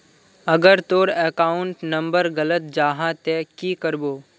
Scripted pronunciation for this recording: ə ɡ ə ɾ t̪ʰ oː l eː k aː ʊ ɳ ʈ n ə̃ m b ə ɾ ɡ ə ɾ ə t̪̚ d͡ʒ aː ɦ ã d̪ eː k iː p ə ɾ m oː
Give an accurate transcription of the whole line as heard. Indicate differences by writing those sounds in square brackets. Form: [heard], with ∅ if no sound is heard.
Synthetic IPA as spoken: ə ɡ ə ɾ [t̪] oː [ɾ] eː k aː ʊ ɳ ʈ n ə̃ m b ə ɾ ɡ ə [l] ə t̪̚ d͡ʒ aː ɦ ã [t̪] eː k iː [k] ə ɾ [b] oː